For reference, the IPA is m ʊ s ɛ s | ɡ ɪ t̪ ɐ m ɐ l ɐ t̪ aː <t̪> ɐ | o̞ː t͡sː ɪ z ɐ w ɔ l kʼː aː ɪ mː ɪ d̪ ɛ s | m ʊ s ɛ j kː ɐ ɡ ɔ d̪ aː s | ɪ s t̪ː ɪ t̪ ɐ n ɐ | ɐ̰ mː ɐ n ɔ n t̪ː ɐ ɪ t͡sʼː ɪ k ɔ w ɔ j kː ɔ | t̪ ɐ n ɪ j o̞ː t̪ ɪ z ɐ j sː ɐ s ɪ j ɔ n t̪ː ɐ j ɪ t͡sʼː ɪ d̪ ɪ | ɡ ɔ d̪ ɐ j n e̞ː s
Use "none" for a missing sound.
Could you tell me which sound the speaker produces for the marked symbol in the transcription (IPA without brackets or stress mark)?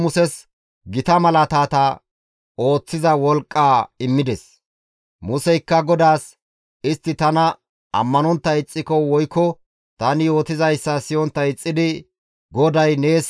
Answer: t̪